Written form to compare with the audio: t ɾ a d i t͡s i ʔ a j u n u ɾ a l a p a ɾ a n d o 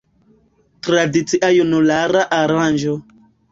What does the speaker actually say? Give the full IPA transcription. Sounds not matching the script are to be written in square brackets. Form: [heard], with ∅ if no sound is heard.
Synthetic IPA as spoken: t ɾ a d i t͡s i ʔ a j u n u [l] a [ɾ] a [ʔ] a ɾ a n [d͡ʒ] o